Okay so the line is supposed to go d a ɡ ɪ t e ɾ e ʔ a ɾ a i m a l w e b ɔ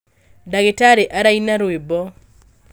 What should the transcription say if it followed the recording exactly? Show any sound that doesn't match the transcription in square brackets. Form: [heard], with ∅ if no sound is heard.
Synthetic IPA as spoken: d a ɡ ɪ t [a] ɾ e ʔ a ɾ a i [n] a [ɾ] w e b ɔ